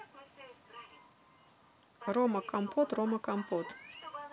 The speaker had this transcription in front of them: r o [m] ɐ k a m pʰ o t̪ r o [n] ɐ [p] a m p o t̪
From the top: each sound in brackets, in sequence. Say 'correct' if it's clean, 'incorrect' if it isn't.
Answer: correct, incorrect: m, incorrect: k

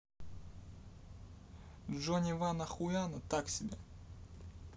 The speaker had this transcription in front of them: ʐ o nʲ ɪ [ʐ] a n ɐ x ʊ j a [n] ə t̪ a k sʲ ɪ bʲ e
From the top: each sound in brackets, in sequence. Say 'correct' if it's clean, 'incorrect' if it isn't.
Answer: incorrect: v, correct

